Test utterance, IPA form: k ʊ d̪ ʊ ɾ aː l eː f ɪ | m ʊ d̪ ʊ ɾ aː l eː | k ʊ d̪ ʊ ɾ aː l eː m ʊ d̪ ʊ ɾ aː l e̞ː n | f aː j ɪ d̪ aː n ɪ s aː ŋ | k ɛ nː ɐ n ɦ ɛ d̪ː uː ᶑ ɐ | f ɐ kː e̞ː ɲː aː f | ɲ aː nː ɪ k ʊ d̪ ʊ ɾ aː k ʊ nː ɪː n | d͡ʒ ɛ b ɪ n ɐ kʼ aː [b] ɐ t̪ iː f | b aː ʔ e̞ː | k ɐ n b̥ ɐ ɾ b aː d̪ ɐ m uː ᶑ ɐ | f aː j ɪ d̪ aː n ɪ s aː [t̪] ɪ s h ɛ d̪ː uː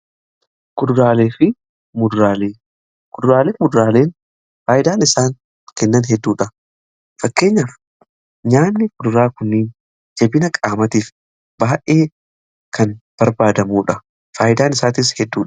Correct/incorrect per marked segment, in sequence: incorrect: m, correct

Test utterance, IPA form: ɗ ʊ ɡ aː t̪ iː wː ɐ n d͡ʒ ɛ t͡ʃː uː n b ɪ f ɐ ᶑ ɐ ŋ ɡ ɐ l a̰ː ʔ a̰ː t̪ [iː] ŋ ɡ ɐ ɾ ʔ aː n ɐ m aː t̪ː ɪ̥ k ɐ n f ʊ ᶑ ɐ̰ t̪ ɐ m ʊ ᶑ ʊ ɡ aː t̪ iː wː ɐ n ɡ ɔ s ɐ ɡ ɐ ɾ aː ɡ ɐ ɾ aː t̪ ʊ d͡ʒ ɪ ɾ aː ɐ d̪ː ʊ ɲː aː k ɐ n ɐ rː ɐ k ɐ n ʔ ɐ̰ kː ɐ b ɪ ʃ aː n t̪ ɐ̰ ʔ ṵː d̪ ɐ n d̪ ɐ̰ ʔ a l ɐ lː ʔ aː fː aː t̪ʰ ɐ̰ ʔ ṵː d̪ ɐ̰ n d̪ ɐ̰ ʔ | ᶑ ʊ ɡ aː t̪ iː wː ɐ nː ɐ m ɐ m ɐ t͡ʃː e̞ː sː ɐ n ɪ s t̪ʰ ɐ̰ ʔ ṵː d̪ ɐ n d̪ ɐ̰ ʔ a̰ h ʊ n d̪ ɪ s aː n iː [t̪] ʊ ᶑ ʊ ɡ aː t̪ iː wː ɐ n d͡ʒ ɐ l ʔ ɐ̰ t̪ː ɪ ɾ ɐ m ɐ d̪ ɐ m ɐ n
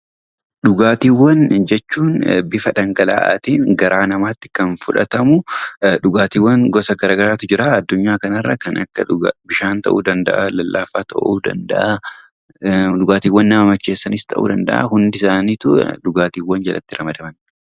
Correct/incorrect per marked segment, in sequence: correct, correct

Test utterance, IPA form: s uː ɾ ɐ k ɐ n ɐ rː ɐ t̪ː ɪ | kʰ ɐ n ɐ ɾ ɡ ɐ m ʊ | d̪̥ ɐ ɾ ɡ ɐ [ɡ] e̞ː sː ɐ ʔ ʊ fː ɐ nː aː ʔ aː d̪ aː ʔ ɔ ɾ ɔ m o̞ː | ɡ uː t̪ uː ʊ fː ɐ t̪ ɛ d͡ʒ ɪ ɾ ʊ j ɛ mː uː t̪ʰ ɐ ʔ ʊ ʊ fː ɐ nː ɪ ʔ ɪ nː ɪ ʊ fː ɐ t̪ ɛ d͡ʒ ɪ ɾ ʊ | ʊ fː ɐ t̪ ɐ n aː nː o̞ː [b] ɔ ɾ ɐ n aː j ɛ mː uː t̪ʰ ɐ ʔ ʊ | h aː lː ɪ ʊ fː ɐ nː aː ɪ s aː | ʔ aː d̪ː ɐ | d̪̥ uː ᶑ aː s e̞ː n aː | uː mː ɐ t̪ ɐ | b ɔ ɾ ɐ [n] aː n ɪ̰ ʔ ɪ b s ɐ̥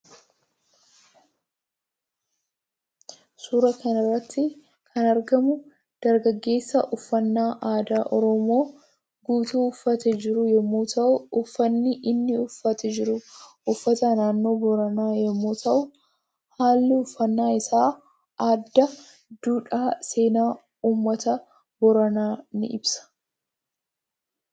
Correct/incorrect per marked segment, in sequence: incorrect: ɡː, correct, correct

